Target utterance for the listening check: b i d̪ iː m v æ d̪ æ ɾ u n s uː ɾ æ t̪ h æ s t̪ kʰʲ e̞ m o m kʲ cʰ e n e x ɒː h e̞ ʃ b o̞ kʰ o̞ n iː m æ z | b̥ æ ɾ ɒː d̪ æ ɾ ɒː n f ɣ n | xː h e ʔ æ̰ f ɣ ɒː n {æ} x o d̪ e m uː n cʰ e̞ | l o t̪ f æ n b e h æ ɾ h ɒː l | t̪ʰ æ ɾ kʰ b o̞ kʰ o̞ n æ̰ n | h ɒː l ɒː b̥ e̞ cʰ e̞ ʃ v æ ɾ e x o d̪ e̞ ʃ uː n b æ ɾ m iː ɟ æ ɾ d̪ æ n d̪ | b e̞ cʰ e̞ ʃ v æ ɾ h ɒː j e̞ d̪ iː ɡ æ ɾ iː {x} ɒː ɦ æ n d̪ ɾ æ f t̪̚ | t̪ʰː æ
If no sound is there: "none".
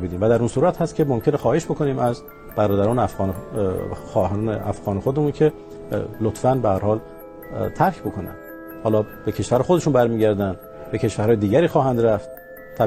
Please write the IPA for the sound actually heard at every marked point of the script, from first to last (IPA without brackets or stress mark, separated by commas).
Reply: e, x